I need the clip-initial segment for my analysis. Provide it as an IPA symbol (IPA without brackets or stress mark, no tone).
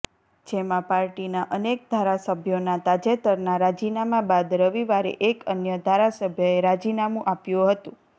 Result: d͡ʒ